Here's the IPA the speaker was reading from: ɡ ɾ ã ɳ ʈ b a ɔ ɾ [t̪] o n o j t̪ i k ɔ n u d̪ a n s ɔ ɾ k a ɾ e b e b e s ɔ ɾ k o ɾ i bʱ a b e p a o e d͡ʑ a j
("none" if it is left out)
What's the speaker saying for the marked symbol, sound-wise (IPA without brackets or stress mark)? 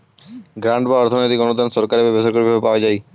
t̪ʰ